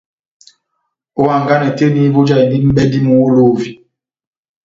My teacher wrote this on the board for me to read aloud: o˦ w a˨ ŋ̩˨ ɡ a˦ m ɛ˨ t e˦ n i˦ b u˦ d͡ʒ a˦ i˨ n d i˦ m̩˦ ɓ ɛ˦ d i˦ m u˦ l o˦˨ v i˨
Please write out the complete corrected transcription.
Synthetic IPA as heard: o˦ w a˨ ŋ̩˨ ɡ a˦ n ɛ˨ t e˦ n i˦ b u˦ d͡ʒ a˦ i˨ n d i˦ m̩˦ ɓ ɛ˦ d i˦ m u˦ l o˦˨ v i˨